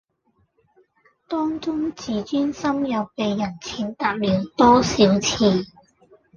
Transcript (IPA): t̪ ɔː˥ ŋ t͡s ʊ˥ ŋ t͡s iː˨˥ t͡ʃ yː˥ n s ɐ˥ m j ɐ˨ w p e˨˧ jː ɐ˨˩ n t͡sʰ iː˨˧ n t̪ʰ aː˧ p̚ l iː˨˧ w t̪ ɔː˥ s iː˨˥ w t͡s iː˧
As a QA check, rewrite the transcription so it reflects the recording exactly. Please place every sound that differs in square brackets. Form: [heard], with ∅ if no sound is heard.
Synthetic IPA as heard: t̪ ɔː˥ ŋ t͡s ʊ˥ ŋ t͡s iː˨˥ t͡ʃ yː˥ n s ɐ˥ m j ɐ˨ w p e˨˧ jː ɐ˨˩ n t͡sʰ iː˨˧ n [t̪] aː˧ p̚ l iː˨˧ w t̪ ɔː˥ s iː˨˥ w [t͡sʰ] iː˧